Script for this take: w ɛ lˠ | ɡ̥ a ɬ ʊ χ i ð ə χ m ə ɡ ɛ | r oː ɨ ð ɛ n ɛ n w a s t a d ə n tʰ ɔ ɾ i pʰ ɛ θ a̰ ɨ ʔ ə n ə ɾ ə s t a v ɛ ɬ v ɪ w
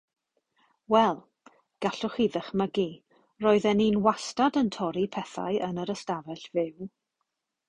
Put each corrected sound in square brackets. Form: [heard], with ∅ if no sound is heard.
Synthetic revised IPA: w ɛ lˠ | ɡ̥ a ɬ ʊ χ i ð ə χ m ə ɡ [i] | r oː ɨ ð ɛ n [i] n w a s t a d ə n tʰ ɔ ɾ i pʰ ɛ θ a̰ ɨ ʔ ə n ə ɾ ə s t a v ɛ ɬ v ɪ w